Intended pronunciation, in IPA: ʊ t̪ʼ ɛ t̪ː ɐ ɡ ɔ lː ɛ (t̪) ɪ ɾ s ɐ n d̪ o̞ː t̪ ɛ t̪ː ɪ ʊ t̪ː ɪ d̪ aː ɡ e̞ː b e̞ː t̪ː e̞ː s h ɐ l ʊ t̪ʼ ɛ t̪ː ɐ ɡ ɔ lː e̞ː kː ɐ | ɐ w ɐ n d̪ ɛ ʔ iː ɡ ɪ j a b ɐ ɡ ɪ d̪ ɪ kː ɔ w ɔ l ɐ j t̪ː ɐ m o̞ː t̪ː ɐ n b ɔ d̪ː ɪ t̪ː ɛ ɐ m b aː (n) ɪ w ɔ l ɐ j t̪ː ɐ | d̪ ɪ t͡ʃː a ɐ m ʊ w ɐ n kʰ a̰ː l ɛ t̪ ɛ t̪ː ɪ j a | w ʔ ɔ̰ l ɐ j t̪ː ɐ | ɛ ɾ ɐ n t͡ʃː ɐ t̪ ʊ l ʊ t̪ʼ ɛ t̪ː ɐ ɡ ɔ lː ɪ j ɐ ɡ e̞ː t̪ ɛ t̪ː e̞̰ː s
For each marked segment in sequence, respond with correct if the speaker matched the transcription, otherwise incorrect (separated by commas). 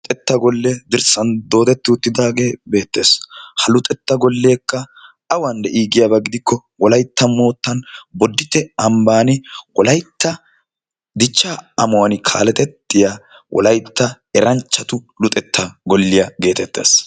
incorrect, correct